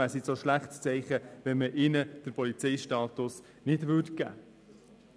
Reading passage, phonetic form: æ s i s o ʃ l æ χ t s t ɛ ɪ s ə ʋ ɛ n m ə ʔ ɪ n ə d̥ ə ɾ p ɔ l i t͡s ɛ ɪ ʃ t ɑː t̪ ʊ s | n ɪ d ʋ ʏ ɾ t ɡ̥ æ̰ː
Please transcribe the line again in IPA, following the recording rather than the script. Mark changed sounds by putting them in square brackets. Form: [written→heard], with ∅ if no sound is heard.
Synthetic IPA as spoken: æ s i s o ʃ l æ χ t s [t→t͡s] ɛ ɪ [s→χ] ə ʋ ɛ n m ə ʔ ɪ n ə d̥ ə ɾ p ɔ l i t͡s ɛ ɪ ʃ t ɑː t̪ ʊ s | n ɪ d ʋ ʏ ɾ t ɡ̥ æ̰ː